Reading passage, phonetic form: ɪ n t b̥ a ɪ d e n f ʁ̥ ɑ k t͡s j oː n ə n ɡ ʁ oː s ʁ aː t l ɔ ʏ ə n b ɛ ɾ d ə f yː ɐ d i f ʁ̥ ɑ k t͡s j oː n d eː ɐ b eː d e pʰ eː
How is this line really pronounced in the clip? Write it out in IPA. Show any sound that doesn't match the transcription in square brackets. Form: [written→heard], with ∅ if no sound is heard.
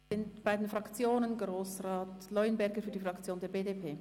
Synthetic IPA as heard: ɪ n t b̥ a ɪ d e n f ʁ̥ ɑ k t͡s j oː n ə n ɡ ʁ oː s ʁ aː t l ɔ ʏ ə n b ɛ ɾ [d→ɡ] ə f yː ɐ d i f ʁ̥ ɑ k t͡s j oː n d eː ɐ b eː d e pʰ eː

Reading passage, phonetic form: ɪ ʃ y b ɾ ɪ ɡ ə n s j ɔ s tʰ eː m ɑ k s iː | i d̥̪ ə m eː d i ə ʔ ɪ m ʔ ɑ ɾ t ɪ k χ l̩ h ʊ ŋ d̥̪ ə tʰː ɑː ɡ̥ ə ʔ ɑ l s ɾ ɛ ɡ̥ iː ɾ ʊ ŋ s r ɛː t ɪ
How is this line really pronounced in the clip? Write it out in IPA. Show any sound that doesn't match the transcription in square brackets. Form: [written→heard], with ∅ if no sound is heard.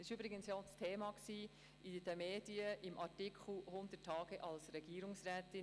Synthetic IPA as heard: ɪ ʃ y b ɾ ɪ ɡ ə n s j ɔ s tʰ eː m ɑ k s iː | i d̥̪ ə m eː d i ə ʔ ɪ m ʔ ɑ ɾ t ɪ k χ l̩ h ʊ [ŋ→n] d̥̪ ə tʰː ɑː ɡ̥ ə ʔ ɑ l s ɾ ɛ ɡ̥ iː ɾ ʊ ŋ s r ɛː t ɪ

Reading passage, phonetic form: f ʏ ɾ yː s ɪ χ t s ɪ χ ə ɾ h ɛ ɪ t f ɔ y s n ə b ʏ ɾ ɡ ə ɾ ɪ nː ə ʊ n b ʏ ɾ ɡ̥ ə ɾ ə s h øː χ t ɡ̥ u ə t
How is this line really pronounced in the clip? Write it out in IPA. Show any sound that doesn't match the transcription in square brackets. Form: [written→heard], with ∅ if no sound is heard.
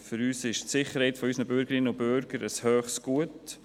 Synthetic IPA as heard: f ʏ ɾ yː s ɪ [χ→ʃ] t s ɪ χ ə ɾ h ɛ ɪ t f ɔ y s n ə b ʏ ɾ ɡ ə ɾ ɪ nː ə ʊ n b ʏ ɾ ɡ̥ ə ɾ ə s h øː χ [t→s] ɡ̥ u ə t

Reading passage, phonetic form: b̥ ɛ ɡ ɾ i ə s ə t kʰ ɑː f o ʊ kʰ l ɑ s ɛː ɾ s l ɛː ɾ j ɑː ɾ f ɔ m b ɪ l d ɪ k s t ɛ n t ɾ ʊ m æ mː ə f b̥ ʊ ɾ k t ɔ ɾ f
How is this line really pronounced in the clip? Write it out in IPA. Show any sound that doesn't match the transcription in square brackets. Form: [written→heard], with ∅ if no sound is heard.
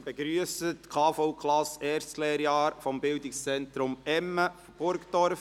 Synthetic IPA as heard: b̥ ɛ ɡ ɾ [i→y] ə s ə t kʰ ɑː f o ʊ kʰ l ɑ s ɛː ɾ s l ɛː ɾ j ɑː ɾ f ɔ m b ɪ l d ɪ k s [t→t͡s] ɛ n t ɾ ʊ m [æ→ɛ] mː ə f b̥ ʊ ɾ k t ɔ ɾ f

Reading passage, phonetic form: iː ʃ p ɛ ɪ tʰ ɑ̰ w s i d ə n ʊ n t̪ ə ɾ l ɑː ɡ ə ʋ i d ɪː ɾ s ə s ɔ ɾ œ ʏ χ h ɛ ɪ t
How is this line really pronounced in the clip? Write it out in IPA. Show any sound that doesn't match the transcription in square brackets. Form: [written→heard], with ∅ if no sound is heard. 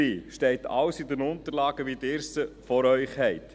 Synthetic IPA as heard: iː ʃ [p→t] ɛ ɪ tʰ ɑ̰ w s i d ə n ʊ n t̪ ə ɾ l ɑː ɡ ə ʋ i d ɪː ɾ s ə [s→f] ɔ ɾ œ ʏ χ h ɛ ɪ t

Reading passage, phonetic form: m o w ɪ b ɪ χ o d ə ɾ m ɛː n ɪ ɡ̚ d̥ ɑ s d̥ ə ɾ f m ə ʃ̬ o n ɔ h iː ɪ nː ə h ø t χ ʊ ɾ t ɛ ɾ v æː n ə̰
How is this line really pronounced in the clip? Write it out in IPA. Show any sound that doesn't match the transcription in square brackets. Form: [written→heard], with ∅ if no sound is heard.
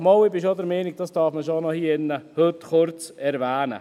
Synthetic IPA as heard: m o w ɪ b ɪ [χ→ʃ] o d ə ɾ m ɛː n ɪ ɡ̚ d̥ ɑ s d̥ [ə→ɑ] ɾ f m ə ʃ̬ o n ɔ h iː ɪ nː ə h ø t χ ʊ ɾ [t→t͡s] ɛ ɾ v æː n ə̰

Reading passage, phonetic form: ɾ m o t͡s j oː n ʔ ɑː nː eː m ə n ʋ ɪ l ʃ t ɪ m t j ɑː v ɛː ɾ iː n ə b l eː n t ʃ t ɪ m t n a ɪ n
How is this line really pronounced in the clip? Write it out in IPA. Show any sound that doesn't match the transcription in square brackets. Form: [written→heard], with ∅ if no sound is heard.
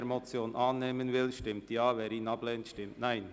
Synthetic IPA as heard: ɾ m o t͡s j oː n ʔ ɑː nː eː m ə n [ʋ→v] ɪ l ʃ t ɪ m t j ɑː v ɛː ɾ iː n [ə→ɑ] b l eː n t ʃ t ɪ m t n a ɪ n

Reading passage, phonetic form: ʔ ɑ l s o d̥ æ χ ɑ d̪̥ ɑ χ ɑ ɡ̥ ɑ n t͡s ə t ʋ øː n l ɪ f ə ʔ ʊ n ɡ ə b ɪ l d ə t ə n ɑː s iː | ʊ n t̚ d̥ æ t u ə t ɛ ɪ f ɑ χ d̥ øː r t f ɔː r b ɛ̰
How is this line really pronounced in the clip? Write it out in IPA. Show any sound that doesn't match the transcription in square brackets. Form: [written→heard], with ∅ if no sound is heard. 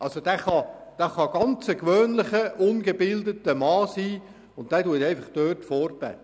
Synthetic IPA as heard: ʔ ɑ l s o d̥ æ χ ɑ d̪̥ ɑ χ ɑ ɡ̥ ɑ n t͡s ə [t→k] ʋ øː n l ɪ [f→χ] ə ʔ ʊ n ɡ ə b ɪ l d ə t ə [n→m] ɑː s iː | ʊ n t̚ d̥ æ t u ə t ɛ ɪ f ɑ χ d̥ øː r t f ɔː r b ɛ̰

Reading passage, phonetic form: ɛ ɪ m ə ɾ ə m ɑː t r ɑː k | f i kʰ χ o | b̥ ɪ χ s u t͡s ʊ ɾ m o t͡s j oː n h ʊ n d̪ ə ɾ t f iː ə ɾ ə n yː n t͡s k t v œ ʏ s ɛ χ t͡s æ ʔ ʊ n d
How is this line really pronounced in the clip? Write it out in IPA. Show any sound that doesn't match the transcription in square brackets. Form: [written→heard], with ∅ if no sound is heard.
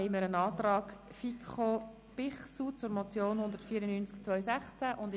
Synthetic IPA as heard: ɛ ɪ m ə ɾ ə [m→n] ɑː t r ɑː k | f i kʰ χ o | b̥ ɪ χ s u t͡s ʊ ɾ m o t͡s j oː n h ʊ n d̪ ə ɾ t f iː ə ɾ ə n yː n t͡s k [t→t͡s] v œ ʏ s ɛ χ t͡s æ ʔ ʊ n d

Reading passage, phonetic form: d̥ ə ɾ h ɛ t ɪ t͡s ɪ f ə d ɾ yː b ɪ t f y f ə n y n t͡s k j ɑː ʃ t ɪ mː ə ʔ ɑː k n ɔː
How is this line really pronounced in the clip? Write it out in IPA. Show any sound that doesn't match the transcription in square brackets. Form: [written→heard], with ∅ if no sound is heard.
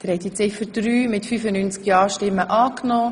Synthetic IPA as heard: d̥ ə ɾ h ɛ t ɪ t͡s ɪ f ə d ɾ yː [b→m] ɪ t f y f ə n y n t͡s k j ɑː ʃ t ɪ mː ə ʔ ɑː k n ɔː

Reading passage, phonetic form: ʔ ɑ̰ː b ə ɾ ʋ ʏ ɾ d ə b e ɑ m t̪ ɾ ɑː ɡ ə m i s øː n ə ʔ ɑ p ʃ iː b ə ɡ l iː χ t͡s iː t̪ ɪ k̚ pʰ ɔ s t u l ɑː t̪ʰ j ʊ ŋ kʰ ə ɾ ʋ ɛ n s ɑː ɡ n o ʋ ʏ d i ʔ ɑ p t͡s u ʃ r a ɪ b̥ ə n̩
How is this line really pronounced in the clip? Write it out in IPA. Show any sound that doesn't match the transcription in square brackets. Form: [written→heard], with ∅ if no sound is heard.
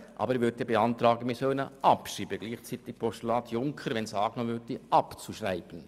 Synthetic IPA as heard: ʔ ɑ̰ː b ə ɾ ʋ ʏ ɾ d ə b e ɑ [m→n] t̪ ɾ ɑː ɡ ə m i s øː n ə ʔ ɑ p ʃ iː b ə ɡ l iː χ t͡s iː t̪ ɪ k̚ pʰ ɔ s t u l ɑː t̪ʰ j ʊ ŋ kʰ ə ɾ ʋ ɛ n s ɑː ɡ n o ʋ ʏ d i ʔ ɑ p t͡s u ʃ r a ɪ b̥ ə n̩

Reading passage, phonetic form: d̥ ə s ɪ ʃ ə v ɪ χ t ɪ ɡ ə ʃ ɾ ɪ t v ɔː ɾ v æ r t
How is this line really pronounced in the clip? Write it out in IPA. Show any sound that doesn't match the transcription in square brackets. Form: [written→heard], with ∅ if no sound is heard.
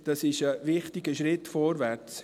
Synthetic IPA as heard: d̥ [ə→ɑ] s ɪ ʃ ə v ɪ χ t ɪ ɡ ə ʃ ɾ ɪ t [v→f] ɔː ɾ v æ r [t→t͡s]

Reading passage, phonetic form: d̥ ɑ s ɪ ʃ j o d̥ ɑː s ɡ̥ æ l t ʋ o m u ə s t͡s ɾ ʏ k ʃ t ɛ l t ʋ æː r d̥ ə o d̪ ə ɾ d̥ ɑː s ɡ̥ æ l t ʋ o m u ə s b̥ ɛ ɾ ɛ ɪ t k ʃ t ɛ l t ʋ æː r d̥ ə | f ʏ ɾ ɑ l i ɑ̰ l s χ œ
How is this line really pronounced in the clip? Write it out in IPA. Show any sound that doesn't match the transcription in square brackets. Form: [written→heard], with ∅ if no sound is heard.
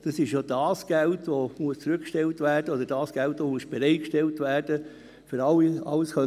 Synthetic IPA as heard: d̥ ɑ s ɪ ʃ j o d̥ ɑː s ɡ̥ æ l t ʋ o m u ə s t͡s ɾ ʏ k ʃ t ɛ l t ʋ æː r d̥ ə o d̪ ə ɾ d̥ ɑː s ɡ̥ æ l t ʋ o m u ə s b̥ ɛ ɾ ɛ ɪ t k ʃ t ɛ l t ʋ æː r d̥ ə | f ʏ ɾ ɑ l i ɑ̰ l s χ œ

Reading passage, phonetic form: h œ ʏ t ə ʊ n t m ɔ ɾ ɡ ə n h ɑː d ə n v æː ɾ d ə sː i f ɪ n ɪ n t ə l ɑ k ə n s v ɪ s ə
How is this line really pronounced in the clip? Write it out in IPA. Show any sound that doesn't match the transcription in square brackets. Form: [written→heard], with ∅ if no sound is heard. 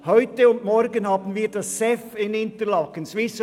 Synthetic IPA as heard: h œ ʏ t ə ʊ n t m ɔ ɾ ɡ ə n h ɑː [d→b] ə n v [æː→iː] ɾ d [ə→ɑ] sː [i→ɛ] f ɪ n ɪ n t ə l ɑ k ə n s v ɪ s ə

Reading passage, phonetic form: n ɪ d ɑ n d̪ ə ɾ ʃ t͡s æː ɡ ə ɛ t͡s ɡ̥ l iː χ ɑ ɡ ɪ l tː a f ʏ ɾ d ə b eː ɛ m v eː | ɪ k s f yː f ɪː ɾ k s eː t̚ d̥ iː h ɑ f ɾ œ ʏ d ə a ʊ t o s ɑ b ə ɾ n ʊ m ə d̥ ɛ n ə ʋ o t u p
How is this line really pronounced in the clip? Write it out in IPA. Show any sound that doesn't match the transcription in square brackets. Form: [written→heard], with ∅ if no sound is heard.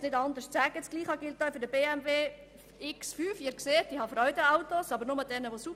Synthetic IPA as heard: n ɪ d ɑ n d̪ ə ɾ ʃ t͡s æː ɡ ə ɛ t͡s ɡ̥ l iː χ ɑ ɡ ɪ l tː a f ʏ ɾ d ə b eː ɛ m v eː | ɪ k s f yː f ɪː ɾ k s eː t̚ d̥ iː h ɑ f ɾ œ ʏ d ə a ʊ t o s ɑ b ə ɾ n ʊ m ə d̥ ɛ n ə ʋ o [t→s] u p

